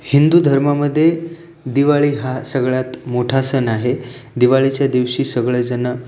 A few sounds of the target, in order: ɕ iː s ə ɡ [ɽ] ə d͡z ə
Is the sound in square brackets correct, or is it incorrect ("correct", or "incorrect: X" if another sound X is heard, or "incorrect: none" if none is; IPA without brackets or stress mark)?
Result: incorrect: ɭ